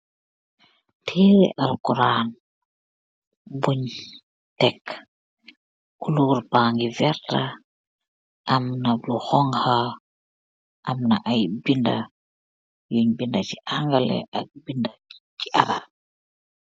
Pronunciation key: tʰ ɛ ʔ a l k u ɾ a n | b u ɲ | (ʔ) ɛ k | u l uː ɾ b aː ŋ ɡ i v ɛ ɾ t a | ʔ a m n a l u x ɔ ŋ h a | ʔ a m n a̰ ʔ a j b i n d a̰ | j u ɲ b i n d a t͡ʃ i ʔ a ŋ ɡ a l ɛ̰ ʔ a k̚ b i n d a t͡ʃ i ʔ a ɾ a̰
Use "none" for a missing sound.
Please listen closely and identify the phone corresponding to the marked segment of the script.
t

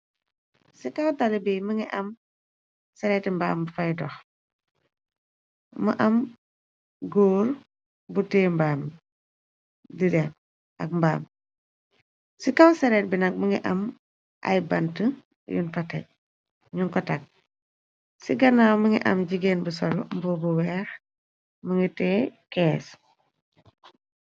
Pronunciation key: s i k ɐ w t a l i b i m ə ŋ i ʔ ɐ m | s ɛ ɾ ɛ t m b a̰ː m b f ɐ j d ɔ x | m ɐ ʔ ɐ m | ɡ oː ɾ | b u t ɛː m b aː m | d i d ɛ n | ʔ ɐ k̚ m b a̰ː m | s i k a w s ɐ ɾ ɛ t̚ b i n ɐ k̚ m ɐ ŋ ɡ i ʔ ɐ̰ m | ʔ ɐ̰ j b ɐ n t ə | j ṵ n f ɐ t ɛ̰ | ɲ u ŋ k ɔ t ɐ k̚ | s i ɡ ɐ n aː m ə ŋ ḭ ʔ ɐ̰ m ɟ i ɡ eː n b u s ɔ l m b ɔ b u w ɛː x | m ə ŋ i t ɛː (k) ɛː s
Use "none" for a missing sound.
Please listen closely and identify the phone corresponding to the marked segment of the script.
k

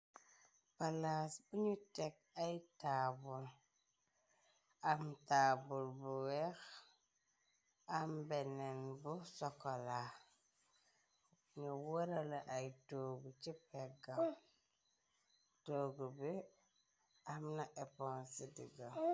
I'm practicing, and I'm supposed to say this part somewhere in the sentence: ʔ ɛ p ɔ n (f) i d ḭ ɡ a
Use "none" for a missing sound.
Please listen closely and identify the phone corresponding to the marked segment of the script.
s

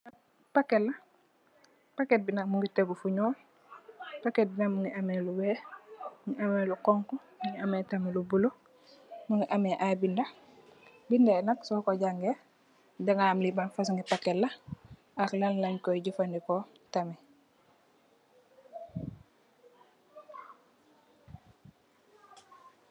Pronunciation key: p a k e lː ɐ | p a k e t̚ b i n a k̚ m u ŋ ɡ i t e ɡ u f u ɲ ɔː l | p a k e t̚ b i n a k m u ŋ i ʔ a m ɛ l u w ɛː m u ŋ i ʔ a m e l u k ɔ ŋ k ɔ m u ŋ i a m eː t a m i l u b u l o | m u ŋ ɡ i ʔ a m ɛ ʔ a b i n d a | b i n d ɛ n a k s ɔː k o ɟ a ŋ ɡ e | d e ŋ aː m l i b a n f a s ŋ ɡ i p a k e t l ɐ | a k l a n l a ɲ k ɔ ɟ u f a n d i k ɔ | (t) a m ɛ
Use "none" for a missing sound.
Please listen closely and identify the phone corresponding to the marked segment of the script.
t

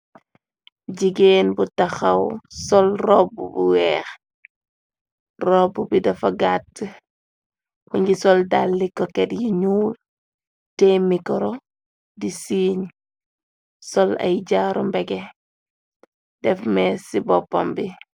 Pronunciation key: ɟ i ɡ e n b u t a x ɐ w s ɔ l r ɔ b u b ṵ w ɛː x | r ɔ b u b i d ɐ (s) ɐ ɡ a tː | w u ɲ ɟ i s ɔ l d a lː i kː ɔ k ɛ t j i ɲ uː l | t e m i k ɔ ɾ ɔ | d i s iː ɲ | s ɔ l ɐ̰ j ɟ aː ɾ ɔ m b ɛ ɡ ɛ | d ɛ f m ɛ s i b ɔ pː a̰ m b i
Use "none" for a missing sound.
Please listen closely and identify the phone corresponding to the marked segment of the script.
f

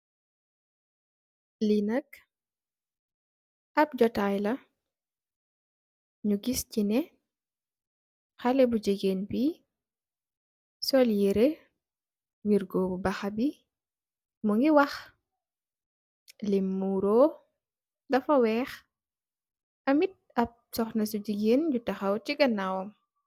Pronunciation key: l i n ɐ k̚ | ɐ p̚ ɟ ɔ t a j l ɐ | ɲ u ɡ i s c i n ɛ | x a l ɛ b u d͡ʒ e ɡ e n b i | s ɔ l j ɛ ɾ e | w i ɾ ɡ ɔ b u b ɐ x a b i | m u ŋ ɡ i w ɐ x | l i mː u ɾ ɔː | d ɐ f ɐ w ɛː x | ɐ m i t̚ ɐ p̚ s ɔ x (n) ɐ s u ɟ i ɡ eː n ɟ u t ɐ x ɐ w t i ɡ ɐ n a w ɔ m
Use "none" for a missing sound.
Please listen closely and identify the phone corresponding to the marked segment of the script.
n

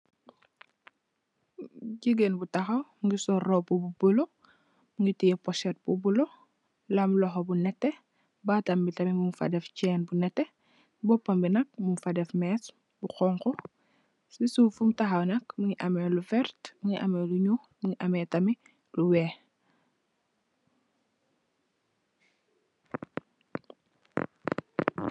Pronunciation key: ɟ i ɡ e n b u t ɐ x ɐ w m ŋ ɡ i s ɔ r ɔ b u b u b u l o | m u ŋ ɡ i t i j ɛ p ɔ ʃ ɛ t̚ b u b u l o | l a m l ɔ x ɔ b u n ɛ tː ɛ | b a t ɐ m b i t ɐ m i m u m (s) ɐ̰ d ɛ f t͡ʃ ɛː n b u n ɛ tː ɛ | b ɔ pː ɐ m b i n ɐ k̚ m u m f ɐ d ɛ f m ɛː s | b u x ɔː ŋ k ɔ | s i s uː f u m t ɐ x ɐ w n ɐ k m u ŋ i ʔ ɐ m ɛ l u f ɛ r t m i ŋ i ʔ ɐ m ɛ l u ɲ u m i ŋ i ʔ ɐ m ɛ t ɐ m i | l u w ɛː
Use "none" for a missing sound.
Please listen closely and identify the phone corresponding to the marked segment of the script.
f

